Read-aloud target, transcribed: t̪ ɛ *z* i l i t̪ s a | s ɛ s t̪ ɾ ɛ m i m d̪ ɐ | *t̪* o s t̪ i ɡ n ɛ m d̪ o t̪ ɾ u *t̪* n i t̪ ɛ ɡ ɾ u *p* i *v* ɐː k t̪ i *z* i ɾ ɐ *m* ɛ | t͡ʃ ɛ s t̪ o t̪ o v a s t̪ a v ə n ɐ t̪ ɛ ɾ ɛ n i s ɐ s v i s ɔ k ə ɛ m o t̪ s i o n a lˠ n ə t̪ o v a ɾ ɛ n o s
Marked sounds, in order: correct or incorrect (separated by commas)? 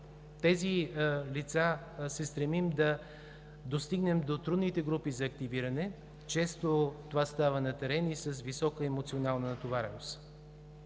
correct, incorrect, incorrect, correct, incorrect, incorrect, incorrect